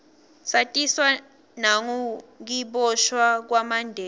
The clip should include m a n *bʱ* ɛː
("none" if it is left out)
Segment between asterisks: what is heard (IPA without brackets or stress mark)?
dʱ